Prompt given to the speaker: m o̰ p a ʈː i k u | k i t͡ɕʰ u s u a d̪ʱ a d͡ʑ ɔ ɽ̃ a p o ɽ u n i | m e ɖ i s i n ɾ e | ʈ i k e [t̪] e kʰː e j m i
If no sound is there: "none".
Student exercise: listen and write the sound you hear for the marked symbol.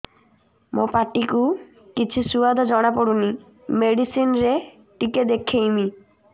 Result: d̪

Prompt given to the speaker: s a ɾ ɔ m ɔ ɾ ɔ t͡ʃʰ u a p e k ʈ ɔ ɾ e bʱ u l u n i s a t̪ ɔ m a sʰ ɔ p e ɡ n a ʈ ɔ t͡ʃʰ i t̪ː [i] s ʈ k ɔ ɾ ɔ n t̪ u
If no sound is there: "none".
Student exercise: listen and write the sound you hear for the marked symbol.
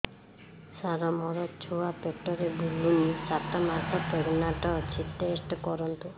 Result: e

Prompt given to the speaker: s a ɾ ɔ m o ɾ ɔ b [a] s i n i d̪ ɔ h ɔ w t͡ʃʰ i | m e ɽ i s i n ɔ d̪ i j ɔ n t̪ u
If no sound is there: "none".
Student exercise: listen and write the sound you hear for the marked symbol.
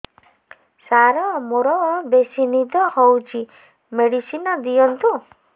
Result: e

